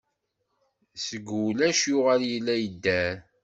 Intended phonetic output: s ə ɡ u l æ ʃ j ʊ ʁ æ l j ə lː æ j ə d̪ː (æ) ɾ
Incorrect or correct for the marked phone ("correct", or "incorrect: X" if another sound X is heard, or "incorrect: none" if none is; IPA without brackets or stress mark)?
correct